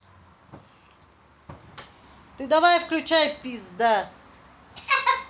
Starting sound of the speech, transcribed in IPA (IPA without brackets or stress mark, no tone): t̪